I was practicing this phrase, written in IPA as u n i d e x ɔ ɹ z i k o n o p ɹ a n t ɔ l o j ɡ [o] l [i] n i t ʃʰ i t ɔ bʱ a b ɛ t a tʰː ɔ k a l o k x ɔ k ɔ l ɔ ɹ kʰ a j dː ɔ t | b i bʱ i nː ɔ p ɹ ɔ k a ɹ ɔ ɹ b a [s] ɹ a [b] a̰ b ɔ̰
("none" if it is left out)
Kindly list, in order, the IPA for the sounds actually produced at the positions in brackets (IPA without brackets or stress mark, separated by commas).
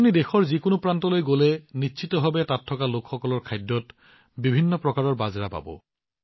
o, ɛ, z, p